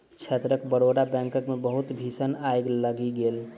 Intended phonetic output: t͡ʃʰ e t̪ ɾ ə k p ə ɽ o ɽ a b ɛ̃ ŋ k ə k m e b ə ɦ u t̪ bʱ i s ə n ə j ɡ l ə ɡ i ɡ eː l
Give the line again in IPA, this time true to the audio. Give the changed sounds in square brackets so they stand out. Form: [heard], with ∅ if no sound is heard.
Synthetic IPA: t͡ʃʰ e t̪ ɾ ə k [b] ə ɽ o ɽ a b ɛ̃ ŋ k ə k m e b ə ɦ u t̪ bʱ i s ə n [a] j ɡ l ə ɡ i ɡ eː l